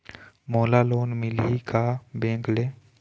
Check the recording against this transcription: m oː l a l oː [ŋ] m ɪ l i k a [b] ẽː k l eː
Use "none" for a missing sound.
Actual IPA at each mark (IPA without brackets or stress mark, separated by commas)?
n, b